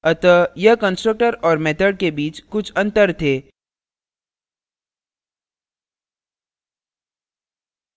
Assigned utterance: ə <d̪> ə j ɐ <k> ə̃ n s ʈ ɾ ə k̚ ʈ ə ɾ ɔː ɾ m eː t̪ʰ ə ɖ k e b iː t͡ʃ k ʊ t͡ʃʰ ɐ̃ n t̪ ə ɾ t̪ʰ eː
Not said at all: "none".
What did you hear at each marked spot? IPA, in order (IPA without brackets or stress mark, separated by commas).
t̪, k